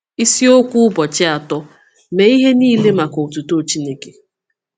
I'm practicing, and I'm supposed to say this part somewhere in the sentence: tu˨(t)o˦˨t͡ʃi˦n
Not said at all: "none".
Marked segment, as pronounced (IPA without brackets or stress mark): t